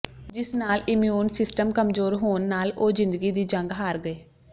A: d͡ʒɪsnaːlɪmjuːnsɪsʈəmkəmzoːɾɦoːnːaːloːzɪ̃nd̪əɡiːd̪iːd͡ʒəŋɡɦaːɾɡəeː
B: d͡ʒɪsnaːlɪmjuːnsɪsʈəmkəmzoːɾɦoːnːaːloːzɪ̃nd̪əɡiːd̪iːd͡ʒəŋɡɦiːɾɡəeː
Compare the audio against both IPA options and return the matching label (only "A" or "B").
A